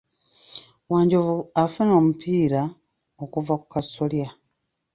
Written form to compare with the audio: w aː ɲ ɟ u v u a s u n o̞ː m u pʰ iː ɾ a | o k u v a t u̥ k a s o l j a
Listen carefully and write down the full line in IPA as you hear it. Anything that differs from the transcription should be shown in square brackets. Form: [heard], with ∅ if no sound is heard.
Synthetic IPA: w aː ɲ ɟ [o] v u a [f] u n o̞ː m u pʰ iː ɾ a | o k u v a [k] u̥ k a s o l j a